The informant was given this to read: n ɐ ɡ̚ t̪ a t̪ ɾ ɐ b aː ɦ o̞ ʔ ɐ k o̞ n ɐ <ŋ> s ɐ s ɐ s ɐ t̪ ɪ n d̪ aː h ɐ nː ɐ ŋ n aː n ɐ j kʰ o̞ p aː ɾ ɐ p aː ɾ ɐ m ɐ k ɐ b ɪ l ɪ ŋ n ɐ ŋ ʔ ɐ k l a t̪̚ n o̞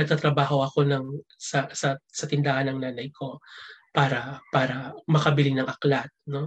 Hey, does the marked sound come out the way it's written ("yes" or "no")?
yes